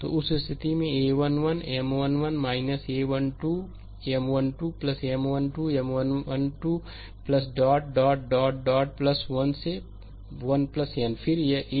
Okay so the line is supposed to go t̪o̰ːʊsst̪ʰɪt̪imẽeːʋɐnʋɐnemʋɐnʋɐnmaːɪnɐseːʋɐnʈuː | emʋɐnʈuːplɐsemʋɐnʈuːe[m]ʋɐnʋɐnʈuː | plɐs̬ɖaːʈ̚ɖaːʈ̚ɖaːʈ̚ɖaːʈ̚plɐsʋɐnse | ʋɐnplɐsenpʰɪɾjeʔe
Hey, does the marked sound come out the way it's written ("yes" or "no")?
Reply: yes